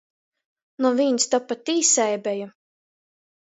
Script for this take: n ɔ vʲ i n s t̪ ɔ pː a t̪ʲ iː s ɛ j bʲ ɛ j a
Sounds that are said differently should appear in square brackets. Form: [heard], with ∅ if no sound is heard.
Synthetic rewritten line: n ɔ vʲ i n s t̪ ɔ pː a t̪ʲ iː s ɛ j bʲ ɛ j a